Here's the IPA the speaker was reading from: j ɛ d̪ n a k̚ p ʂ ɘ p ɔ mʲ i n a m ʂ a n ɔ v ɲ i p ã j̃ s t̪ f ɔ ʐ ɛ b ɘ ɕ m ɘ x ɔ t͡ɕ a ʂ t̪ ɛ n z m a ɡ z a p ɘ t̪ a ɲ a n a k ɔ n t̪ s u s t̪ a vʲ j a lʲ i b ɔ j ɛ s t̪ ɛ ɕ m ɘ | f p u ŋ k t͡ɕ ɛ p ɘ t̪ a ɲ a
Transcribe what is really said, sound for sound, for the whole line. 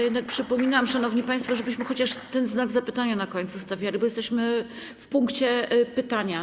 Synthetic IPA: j ɛ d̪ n a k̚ p ʂ ɘ p ɔ mʲ i n a m ʂ a n ɔ v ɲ i p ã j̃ s t̪ f ɔ ʐ ɛ b ɘ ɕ m ɘ x ɔ t͡ɕ a ʂ t̪ ɛ n z n a ɡ z a p ɘ t̪ a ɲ a n a k ɔ ɲ t̪ s u s t̪ a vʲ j a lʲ i b ɔ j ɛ s t̪ ɛ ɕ m ɘ | f p u ŋ k t͡ɕ ɛ p ɘ t̪ a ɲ a